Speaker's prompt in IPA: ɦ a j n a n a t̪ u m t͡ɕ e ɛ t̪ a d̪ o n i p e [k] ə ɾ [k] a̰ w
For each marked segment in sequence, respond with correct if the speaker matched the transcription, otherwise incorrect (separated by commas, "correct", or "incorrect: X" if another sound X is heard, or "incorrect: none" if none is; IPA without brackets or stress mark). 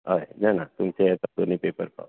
incorrect: p, incorrect: p